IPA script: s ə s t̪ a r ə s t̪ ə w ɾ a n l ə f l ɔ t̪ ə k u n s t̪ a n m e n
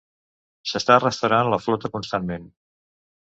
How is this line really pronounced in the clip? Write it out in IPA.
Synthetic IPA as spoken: s ə s t̪ a r ə s t̪ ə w ɾ a n l ə f l ɔ t̪ ə k u n s t̪ a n m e n